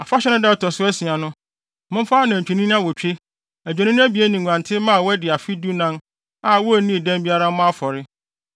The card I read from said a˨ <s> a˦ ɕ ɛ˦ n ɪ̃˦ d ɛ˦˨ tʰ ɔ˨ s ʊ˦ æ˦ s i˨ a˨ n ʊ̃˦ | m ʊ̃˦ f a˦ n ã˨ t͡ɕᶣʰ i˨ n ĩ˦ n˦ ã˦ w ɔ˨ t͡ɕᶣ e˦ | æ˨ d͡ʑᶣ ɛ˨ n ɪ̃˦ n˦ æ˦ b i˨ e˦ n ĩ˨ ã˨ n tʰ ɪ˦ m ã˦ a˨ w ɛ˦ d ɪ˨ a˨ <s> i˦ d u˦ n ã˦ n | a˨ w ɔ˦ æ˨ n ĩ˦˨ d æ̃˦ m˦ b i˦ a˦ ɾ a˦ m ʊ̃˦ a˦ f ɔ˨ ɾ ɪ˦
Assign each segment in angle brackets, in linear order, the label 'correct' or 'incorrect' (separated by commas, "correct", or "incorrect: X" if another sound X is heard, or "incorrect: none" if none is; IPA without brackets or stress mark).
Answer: incorrect: f, incorrect: f